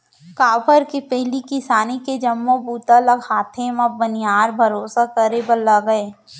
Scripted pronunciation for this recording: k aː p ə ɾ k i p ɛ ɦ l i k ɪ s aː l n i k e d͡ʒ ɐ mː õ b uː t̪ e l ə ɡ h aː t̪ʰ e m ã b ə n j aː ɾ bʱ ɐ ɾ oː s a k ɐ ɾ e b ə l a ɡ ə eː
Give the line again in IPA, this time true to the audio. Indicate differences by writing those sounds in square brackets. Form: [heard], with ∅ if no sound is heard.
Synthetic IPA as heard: k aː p ə ɾ k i p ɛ ɦ l i k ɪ s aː [∅] n i k e d͡ʒ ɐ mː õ b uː t̪ [a] l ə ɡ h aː t̪ʰ e m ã b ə n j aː ɾ bʱ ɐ ɾ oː s a k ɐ ɾ e b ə l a ɡ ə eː